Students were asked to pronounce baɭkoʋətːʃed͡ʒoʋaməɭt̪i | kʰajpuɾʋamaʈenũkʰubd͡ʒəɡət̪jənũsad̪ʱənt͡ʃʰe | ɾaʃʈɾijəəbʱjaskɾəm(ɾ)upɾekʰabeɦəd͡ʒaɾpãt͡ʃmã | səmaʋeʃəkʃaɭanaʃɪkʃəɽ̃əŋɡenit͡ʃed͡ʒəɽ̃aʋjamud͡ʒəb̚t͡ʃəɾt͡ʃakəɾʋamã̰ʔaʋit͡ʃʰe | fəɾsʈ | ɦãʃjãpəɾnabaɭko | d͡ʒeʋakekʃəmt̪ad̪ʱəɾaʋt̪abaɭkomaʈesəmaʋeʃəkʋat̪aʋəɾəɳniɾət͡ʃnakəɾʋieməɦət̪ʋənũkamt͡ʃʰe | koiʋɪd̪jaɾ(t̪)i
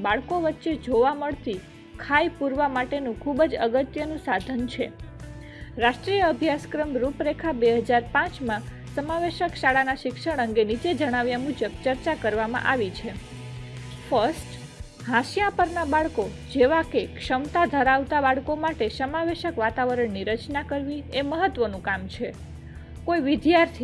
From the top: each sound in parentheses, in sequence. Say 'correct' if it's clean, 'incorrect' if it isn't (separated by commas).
correct, incorrect